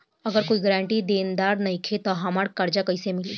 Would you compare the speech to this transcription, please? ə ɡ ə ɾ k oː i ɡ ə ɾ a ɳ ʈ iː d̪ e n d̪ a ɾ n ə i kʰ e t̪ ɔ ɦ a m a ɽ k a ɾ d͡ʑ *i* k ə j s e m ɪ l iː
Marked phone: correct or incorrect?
incorrect